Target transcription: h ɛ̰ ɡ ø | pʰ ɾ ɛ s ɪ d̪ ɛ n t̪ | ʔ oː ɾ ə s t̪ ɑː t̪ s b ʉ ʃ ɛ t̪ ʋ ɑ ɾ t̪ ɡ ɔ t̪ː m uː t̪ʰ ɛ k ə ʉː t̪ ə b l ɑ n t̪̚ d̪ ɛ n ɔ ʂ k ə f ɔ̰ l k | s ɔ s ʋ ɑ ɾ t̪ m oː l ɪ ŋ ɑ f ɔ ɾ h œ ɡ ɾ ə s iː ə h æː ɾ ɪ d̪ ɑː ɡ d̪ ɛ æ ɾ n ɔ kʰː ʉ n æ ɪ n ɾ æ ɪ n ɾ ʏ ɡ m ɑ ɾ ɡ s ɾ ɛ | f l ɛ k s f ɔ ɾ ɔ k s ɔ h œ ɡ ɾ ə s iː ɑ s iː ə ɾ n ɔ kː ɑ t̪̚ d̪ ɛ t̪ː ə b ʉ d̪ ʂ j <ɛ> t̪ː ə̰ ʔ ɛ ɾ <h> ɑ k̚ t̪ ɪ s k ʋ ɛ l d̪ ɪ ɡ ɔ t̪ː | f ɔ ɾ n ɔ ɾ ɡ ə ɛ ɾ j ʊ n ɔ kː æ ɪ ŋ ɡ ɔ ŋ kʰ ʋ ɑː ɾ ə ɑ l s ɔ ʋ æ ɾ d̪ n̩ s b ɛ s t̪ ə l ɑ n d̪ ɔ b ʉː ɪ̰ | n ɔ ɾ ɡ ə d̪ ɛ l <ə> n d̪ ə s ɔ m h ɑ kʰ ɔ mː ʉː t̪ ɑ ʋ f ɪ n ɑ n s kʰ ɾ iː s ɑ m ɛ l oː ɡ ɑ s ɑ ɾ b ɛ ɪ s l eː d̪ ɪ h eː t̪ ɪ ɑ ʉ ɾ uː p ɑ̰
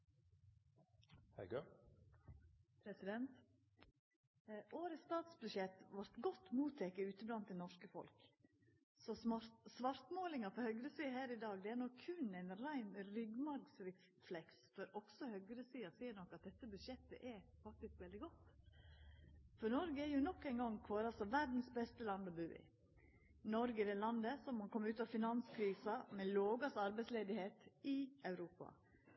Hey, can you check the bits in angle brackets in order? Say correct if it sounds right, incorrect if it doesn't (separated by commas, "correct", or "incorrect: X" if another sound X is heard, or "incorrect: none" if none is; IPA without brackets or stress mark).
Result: correct, incorrect: f, incorrect: ɑ